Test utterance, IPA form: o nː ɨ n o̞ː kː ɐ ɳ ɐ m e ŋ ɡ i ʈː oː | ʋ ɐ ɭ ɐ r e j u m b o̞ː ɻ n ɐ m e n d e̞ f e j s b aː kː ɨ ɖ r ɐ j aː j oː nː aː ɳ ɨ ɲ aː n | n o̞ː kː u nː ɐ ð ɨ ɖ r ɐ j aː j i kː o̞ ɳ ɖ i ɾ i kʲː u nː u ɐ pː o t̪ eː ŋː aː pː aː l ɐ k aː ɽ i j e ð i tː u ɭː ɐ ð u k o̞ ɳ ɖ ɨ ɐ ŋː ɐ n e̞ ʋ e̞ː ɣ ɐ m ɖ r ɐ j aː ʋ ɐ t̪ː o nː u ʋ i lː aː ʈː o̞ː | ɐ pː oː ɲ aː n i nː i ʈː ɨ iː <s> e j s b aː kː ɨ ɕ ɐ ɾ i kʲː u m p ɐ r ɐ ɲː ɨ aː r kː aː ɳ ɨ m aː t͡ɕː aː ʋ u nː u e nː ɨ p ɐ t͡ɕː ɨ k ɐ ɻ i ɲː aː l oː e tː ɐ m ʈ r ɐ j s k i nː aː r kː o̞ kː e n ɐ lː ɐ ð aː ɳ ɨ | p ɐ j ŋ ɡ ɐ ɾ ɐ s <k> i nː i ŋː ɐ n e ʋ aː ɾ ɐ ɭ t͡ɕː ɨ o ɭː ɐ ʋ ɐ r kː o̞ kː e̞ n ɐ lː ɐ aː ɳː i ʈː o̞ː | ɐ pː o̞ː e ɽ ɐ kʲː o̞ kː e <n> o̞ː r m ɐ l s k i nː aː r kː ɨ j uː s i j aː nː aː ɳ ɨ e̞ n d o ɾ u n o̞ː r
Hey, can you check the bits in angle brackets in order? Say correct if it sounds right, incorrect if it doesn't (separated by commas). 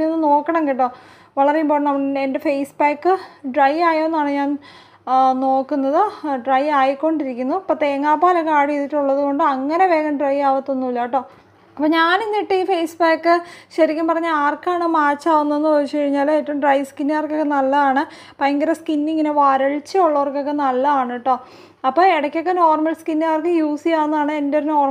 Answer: incorrect, correct, correct